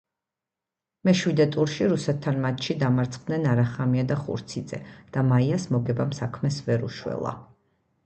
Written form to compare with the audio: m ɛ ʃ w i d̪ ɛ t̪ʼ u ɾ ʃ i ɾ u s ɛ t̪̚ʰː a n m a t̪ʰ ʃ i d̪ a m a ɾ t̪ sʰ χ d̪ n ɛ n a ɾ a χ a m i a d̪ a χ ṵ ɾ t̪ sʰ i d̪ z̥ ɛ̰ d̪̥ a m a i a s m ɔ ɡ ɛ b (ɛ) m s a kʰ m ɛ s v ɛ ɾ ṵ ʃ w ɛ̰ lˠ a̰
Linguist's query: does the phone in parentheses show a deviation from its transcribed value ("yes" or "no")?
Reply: yes